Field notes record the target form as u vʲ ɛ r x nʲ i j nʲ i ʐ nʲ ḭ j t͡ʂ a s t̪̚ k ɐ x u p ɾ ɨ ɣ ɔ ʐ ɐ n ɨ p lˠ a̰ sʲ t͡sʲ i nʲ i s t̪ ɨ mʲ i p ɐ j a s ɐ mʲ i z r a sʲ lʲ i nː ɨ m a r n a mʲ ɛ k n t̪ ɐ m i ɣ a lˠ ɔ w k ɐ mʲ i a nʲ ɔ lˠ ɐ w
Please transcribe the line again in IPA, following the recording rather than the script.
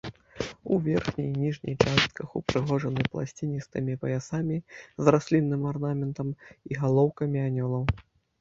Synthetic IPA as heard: u vʲ ɛ r x nʲ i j nʲ i ʐ nʲ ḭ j t͡ʂ a s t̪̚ k ɐ x u p ɾ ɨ ɣ ɔ ʐ ɐ n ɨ p lˠ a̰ sʲ t͡sʲ i nʲ i s t̪ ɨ mʲ i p ɐ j a s a mʲ i z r a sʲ lʲ i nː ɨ m a r n a mʲ ɛ n t̪ ɐ m i ɣ a lˠ ɔ w k ɐ mʲ i a nʲ ɔ lˠ ɐ w